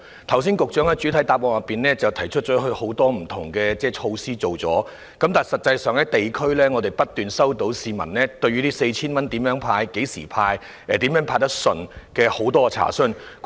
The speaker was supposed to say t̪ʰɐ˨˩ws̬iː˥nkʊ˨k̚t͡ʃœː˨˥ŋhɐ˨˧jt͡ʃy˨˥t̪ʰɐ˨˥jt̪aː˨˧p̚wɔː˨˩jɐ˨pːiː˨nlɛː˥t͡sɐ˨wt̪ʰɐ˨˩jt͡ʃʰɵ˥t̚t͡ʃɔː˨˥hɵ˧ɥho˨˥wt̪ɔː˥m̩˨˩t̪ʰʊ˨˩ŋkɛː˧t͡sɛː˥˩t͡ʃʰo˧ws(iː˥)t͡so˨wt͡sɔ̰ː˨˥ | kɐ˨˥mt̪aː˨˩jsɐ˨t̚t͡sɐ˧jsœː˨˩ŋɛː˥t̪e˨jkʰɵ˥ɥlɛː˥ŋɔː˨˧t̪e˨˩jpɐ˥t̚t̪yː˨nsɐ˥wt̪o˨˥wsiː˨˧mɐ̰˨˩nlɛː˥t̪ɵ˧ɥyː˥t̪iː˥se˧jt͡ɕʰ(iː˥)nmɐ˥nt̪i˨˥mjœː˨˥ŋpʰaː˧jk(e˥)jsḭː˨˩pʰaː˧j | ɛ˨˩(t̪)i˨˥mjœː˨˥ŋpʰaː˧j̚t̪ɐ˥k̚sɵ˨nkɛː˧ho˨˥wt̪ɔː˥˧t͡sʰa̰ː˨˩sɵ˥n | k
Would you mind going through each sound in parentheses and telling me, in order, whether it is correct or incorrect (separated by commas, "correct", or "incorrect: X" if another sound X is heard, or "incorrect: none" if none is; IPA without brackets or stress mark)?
correct, correct, incorrect: e˨˥, correct